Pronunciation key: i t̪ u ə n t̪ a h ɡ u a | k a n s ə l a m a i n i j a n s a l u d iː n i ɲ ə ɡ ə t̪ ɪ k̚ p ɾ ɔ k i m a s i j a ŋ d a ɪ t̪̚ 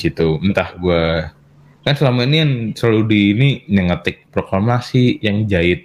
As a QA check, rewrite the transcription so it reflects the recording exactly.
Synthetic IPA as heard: i t̪ u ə n t̪ a h ɡ u a | k a n s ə l a m a i n i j a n s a l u d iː n i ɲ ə ŋ ə t̪ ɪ k̚ p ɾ o k a m a s i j a ŋ d͡ʒ a ɪ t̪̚